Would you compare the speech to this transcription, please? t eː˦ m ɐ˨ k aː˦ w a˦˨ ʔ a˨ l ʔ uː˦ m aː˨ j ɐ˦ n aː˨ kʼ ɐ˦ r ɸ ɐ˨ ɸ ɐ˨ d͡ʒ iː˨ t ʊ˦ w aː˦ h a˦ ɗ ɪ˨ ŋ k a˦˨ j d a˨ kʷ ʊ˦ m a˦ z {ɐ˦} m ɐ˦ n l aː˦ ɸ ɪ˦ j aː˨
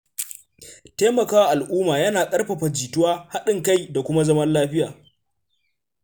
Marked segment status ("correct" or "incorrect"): correct